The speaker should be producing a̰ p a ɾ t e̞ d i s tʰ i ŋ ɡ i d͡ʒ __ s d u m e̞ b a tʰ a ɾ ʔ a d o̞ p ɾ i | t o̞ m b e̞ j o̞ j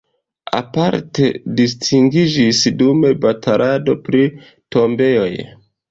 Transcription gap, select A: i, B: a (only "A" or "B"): A